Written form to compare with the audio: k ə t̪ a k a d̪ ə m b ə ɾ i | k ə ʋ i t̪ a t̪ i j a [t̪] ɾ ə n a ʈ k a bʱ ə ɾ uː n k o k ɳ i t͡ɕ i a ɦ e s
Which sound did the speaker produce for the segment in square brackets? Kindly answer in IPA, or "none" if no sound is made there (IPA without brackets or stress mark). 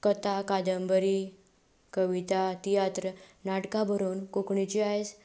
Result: t̪